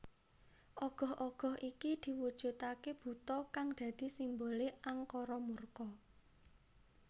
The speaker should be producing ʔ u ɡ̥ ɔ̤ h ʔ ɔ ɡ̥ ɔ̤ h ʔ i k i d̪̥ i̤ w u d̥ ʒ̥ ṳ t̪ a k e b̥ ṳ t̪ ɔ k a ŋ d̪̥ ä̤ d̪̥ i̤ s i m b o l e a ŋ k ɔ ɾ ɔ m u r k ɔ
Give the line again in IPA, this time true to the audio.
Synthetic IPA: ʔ ɔ ɡ̥ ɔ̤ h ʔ ɔ ɡ̥ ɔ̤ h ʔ i k i d̪̥ i̤ w u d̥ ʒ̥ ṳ t̪ a k e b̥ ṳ t̪ ɔ k a ŋ d̪̥ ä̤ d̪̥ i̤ s i m b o l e a ŋ k ɔ ɾ ɔ m u r k ɔ